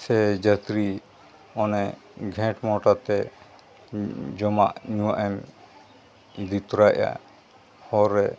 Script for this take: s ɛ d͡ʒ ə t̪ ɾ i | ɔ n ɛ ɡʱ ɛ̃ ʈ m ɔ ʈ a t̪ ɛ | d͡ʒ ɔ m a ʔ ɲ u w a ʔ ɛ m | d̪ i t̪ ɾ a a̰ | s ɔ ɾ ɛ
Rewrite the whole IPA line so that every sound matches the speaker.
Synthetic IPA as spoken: s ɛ d͡ʒ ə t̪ ɾ i | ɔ n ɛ ɡʱ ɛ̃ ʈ m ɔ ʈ a t̪ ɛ | d͡ʒ ɔ m a ʔ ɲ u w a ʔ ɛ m | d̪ i t̪ ɾ a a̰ | h ɔ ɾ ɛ